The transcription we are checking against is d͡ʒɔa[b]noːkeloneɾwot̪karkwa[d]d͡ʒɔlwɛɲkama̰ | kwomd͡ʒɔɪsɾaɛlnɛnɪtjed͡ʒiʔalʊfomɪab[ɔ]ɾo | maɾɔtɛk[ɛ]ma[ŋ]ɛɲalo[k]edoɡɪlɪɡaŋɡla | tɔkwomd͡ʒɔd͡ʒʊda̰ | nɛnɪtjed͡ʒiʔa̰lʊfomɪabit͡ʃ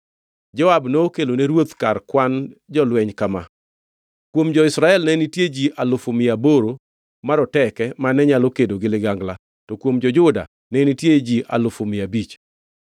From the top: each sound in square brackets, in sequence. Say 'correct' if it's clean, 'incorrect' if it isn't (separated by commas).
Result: correct, incorrect, incorrect, correct, incorrect, correct